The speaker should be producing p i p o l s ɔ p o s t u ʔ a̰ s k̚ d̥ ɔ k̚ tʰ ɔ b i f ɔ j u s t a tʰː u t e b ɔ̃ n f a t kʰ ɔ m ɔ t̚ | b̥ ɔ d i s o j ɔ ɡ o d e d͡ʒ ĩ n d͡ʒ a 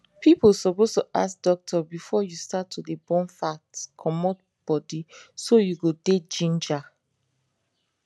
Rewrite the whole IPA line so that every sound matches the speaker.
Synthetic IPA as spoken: p i p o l s ɔ p o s t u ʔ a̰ s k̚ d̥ ɔ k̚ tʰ ɔ b i f ɔ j u s t a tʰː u d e b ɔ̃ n f a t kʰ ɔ m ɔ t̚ | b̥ ɔ d i s o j u ɡ o d e d͡ʒ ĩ n d͡ʒ a